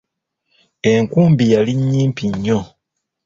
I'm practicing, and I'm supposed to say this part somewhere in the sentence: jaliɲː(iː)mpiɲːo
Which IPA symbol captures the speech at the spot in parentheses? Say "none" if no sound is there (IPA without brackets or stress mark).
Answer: iː